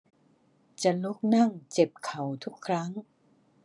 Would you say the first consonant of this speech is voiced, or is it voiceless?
voiceless